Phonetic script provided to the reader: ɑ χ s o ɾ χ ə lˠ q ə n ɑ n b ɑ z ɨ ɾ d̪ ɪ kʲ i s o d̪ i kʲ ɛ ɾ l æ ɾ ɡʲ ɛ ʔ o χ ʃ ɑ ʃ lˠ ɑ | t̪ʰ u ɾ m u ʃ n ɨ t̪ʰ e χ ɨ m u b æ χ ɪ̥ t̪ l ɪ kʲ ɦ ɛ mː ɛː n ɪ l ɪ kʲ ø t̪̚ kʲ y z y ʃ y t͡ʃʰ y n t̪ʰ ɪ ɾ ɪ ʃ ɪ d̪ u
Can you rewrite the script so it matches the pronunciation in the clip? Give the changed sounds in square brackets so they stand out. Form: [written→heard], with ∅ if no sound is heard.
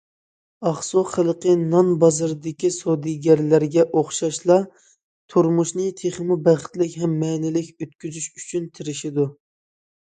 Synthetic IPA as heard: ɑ χ s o [ɾ→∅] χ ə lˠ q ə n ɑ n b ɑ z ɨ ɾ d̪ ɪ kʲ i s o d̪ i [kʲ→ɡʲ] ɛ ɾ l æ ɾ ɡʲ ɛ ʔ o χ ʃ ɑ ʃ lˠ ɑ | t̪ʰ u ɾ m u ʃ n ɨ t̪ʰ e χ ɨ m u b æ χ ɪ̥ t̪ l ɪ kʲ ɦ ɛ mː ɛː n ɪ l ɪ kʲ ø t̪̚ kʲ y z y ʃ y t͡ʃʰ y n t̪ʰ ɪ ɾ ɪ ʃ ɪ d̪ u

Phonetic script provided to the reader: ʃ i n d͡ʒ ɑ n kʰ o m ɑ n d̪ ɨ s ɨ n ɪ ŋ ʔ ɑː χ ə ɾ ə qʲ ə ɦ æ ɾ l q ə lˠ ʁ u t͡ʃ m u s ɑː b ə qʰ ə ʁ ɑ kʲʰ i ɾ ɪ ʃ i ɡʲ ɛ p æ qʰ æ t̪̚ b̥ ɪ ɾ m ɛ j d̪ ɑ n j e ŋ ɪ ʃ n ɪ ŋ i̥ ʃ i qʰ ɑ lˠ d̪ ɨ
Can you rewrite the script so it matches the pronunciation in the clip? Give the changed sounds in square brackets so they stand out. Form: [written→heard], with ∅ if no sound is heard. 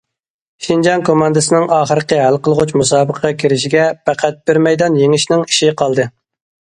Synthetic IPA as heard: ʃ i n d͡ʒ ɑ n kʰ o m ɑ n d̪ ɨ s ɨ n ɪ ŋ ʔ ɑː χ ə ɾ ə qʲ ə ɦ æ [ɾ→∅] l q ə lˠ ʁ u t͡ʃ m u s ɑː b ə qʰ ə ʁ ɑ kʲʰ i ɾ ɪ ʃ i ɡʲ ɛ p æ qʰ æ t̪̚ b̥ ɪ ɾ m ɛ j d̪ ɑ n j e ŋ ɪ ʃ n ɪ ŋ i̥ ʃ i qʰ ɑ lˠ d̪ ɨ

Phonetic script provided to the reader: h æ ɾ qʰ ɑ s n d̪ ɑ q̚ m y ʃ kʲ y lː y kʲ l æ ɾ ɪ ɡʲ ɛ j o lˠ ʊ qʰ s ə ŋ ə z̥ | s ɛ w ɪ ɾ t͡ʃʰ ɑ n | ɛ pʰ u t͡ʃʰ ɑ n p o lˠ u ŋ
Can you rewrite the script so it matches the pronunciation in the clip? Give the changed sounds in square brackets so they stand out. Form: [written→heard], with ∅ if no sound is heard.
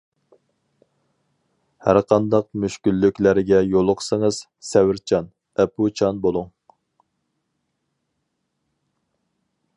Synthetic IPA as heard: h æ ɾ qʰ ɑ [s→∅] n d̪ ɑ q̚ m y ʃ kʲ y lː y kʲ l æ ɾ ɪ ɡʲ ɛ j o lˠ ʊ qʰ s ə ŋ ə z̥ | s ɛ w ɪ ɾ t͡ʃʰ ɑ n | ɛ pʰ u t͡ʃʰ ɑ n [p→b] o lˠ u ŋ

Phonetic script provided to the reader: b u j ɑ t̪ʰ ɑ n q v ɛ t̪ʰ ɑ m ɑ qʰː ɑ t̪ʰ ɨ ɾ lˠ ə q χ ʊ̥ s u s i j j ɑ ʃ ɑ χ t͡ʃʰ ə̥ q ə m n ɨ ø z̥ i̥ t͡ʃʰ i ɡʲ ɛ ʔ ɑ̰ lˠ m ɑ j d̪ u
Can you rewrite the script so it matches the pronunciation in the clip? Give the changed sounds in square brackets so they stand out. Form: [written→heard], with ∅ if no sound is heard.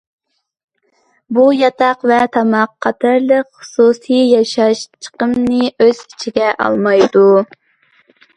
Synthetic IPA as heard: b u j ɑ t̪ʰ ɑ [n→∅] q v ɛ t̪ʰ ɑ m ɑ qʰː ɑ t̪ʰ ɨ ɾ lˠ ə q χ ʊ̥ s u s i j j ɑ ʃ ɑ [χ→ʃ] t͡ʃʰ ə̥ q ə m n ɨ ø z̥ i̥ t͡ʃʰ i ɡʲ ɛ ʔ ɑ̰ lˠ m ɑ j d̪ u

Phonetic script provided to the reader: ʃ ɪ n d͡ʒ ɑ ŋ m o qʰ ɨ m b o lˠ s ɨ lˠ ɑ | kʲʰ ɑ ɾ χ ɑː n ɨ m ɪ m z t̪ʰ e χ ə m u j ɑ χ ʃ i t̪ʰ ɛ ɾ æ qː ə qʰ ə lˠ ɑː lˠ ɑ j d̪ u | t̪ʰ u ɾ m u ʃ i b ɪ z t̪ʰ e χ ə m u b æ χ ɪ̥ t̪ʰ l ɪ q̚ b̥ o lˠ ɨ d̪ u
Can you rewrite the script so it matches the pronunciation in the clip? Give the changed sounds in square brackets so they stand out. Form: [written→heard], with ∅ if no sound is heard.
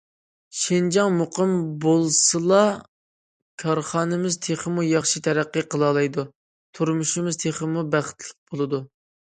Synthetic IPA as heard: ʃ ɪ n d͡ʒ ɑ ŋ m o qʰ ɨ m b o lˠ s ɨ lˠ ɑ | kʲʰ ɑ ɾ χ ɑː n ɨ m ɪ [m→∅] z t̪ʰ e χ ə m u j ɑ χ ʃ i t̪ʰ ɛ ɾ æ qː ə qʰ ə lˠ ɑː lˠ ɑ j d̪ u | t̪ʰ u ɾ m u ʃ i [b→m] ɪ z t̪ʰ e χ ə m u b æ χ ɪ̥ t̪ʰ l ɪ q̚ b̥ o lˠ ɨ d̪ u

